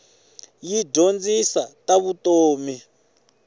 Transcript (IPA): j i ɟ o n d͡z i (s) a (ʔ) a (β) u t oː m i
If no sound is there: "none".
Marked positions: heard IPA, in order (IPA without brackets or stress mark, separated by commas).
s, t, β